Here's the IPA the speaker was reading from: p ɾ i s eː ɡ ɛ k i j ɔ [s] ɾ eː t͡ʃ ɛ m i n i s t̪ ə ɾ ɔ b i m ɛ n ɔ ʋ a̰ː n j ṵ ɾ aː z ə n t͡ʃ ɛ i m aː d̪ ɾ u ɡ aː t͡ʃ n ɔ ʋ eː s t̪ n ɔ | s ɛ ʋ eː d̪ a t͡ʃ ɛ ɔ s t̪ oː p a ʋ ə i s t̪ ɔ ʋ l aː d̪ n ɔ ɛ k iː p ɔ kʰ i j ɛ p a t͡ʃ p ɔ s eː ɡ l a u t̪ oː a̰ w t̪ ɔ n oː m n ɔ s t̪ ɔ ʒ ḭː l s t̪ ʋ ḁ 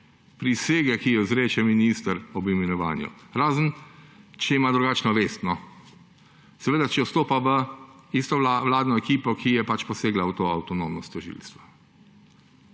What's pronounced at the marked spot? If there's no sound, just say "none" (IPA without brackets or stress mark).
z